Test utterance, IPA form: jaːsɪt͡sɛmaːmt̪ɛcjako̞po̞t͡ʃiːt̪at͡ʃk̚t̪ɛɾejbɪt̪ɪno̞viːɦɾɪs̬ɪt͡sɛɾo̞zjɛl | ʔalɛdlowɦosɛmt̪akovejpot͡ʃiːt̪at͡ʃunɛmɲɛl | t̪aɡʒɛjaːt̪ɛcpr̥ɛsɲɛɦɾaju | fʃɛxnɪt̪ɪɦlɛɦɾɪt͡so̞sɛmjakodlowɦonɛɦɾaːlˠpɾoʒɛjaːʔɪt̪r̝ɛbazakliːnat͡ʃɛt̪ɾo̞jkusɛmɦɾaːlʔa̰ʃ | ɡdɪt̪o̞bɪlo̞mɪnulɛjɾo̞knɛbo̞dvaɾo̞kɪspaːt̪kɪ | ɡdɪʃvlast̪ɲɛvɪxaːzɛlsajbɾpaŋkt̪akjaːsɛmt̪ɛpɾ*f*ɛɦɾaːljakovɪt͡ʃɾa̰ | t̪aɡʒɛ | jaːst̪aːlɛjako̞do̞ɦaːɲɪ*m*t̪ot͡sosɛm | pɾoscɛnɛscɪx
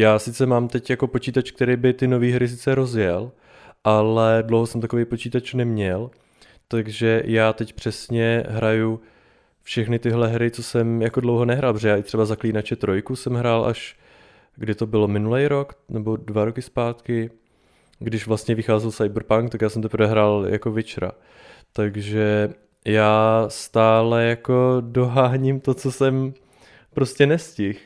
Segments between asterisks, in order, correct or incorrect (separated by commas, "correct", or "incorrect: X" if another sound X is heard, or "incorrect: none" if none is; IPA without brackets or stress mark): incorrect: v, correct